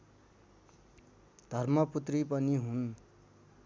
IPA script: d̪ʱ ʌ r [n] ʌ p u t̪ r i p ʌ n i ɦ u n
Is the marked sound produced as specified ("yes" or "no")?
no